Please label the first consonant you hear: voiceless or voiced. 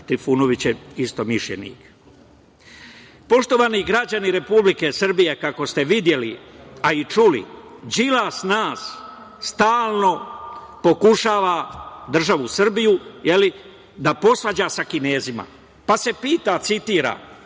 voiceless